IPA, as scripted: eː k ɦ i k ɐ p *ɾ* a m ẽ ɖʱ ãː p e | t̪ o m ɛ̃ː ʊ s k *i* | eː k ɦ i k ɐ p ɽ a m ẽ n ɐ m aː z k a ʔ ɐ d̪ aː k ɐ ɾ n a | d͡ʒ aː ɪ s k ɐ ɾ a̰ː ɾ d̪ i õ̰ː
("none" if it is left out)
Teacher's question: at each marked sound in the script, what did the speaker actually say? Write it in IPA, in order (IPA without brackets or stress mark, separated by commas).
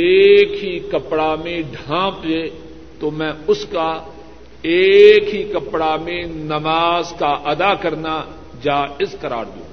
ɽ, a